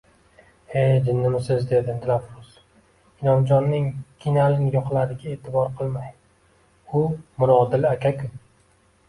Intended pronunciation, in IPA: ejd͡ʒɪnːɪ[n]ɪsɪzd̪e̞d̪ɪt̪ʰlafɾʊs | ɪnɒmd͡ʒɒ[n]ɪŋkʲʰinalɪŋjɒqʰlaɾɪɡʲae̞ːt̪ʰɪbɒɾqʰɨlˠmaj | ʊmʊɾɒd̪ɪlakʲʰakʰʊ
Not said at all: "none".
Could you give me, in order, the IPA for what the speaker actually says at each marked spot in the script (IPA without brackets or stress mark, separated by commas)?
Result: m, nː